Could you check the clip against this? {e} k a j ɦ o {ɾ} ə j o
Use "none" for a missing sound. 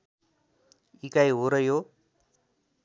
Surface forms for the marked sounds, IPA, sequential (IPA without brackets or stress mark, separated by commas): i, ɾ